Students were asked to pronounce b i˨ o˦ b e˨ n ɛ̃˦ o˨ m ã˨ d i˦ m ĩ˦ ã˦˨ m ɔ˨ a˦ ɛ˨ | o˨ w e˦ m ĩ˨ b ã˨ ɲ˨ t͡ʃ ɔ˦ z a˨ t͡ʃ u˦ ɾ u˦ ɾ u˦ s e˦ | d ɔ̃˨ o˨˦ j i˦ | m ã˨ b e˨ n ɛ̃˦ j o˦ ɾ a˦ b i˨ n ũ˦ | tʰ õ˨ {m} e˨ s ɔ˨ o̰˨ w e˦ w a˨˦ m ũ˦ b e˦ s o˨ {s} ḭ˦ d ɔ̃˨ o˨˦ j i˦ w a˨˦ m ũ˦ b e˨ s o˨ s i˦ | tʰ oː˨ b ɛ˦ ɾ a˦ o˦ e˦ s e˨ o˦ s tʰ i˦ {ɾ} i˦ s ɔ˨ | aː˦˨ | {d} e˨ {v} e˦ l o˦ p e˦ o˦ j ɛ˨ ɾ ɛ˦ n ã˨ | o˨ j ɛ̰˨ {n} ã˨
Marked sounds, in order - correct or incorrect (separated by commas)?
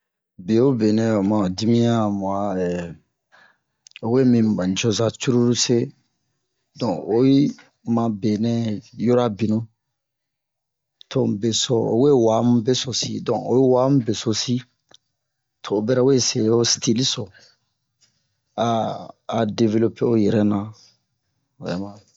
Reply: incorrect, correct, incorrect, correct, correct, incorrect